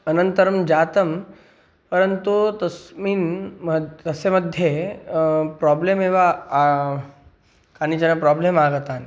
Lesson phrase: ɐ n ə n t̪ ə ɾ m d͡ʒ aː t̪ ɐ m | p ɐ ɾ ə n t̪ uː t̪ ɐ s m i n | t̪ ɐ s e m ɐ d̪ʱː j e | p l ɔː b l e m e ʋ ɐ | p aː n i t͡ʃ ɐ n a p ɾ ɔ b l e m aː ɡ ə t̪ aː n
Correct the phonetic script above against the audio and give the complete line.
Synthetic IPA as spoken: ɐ n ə n t̪ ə ɾ m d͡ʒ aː t̪ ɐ m | p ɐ ɾ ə n t̪ u t̪ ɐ s m i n | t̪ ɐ s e m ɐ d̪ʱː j e | p ɾ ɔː b l e m e ʋ a | k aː n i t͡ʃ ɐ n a p ɾ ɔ b l e m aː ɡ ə t̪ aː n